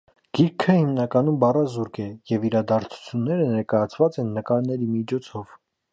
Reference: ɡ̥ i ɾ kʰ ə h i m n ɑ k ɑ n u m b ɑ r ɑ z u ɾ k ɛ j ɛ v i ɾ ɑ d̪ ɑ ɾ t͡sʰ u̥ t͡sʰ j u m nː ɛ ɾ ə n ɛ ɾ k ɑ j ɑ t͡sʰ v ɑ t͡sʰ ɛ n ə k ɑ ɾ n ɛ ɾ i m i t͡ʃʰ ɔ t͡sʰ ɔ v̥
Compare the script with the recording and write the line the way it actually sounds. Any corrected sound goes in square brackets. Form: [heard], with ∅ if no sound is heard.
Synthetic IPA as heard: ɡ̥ i ɾ kʰ ə h i m n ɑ k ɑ n u m b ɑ r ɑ z u ɾ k ɛ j ɛ v i ɾ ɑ d̪ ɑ ɾ t͡sʰ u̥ t͡sʰ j u [∅] nː ɛ ɾ ə n ɛ ɾ k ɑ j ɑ t͡sʰ v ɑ [t͡s] ɛ [nː] ə k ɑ ɾ n ɛ ɾ i m i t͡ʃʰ ɔ t͡sʰ ɔ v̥